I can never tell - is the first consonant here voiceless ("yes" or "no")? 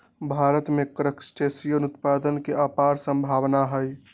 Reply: no